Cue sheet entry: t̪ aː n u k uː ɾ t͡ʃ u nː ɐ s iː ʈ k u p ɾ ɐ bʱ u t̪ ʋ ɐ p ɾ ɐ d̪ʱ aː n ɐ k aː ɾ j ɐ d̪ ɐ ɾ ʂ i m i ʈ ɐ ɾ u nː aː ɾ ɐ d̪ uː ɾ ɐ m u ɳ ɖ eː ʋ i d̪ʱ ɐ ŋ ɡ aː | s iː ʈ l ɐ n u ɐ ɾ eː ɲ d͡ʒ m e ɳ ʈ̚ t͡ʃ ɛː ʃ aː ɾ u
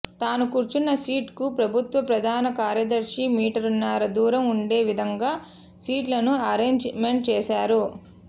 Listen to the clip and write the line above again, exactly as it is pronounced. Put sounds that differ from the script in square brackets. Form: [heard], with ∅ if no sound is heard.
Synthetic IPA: t̪ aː n u k uː ɾ t͡ʃ u nː ɐ s iː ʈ k u p ɾ ɐ bʱ u t̪ ʋ ɐ p ɾ ɐ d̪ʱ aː n ɐ k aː ɾ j ɐ d̪ ɐ ɾ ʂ i m [iː] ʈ ɐ ɾ u nː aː ɾ ɐ d̪ uː ɾ ɐ m u ɳ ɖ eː ʋ i d̪ʱ ɐ ŋ ɡ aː | s iː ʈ l ɐ n u ɐ ɾ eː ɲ d͡ʒ m e ɳ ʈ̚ t͡ʃ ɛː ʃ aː ɾ u

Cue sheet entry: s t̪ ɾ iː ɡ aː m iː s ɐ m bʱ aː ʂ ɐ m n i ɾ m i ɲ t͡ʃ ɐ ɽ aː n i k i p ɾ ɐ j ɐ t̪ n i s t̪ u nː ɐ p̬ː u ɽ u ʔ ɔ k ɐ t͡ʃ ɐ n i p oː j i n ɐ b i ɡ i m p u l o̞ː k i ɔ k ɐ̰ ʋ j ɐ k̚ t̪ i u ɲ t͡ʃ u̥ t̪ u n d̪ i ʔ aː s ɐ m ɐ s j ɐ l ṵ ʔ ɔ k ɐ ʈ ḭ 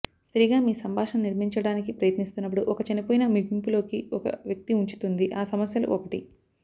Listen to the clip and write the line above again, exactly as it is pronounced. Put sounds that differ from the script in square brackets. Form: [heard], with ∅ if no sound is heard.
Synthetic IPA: s t̪ ɾ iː ɡ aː m iː s ɐ m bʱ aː ʂ ɐ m n i ɾ m i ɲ t͡ʃ ɐ ɽ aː n i k i p ɾ ɐ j ɐ t̪ n i s t̪ u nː ɐ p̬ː u ɽ u ʔ ɔ k ɐ t͡ʃ ɐ n i p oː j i n ɐ [m] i ɡ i m p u l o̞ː k i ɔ k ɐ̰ ʋ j ɐ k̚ t̪ i u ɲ t͡ʃ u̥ t̪ u n d̪ i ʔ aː s ɐ m ɐ s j ɐ l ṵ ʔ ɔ k ɐ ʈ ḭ

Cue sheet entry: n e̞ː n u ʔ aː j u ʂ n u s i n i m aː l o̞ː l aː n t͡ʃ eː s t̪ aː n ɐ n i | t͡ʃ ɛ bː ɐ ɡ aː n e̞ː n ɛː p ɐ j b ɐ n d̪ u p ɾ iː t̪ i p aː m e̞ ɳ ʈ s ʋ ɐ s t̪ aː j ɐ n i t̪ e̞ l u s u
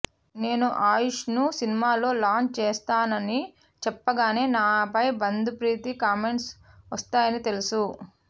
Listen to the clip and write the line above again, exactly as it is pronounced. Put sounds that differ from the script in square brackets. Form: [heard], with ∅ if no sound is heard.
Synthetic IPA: n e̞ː n u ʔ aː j u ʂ n u s i n i m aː l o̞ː l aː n t͡ʃ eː s t̪ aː n ɐ n i | t͡ʃ ɛ [pː] ɐ ɡ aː n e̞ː n [aː] p ɐ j b ɐ n d̪ u p ɾ iː t̪ i [k] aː m e̞ ɳ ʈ s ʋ ɐ s t̪ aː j ɐ n i t̪ e̞ l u s u

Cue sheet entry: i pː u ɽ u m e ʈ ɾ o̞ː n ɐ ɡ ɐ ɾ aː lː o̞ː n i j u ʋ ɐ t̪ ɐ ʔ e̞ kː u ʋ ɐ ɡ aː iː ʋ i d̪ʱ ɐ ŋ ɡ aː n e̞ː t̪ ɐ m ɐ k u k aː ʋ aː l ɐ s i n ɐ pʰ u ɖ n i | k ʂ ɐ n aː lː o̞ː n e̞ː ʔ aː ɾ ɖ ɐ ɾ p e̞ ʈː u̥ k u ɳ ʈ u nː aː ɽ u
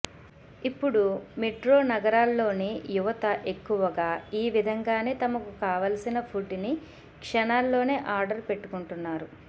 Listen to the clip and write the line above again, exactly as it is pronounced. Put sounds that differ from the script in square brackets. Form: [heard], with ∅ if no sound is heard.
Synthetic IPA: i pː u ɽ u m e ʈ ɾ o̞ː n ɐ ɡ ɐ ɾ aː lː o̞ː n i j u ʋ ɐ t̪ ɐ ʔ e̞ kː u ʋ ɐ ɡ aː iː ʋ i d̪ʱ ɐ ŋ ɡ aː n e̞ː t̪ ɐ m ɐ k u k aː ʋ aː l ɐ s i n ɐ pʰ u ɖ n i | k ʂ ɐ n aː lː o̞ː n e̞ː ʔ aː ɾ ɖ ɐ ɾ p e̞ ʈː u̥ k u ɳ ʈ u nː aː [ɾ] u

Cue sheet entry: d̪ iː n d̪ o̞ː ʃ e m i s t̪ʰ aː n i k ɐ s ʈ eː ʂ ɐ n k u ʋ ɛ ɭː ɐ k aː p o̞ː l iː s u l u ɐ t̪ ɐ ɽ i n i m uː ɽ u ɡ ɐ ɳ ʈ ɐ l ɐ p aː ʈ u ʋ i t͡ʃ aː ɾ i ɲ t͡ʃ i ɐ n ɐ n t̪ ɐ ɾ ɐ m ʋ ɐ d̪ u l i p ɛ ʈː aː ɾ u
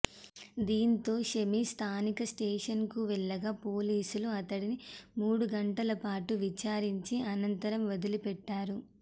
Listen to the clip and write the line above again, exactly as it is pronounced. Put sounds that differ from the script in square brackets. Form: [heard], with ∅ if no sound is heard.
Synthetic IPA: d̪ iː n [t̪] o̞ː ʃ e m i s t̪ʰ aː n i k ɐ s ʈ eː ʂ ɐ n k u ʋ ɛ ɭː ɐ [ɡ] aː p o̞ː l iː s u l u ɐ t̪ ɐ ɽ i n i m uː ɽ u ɡ ɐ ɳ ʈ ɐ l ɐ p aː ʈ u ʋ i t͡ʃ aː ɾ i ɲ t͡ʃ i ɐ n ɐ n t̪ ɐ ɾ ɐ m ʋ ɐ d̪ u l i p ɛ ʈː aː ɾ u

